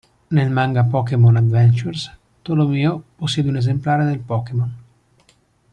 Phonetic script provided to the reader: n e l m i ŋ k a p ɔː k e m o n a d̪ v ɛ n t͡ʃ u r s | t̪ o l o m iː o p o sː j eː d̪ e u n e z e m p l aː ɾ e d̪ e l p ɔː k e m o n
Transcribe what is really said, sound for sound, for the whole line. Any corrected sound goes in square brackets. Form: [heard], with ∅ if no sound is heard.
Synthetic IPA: n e l m [a] ŋ [ɡ] a p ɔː k e m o n a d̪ v ɛ n t͡ʃ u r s | t̪ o l o m iː o p o sː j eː d̪ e u n e z e m p l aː ɾ e d̪ e l p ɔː k e m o n